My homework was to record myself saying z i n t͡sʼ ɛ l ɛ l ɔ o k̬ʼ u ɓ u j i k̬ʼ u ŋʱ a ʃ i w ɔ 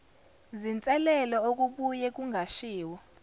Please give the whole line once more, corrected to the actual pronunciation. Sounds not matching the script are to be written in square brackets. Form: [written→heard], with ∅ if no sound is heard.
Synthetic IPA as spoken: z i n t͡sʼ ɛ l ɛ l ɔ o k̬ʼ u ɓ u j [i→ɛ] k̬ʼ u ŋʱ a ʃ [i→iː] w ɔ